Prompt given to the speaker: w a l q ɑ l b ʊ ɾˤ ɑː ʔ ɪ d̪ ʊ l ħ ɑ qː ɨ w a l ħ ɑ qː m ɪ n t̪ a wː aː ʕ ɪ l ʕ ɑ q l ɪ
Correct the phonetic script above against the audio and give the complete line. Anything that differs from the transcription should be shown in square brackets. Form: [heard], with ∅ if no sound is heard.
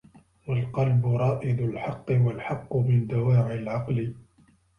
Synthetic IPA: w a l q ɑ l b ʊ ɾˤ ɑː ʔ ɪ d̪ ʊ l ħ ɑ qː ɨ w a l ħ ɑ qː m ɪ n [d̪] a [w] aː ʕ ɪ l ʕ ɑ q l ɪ